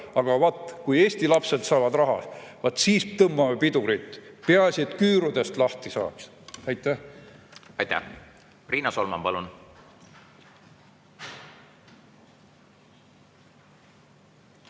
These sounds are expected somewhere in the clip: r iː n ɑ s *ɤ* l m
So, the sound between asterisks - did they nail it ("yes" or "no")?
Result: no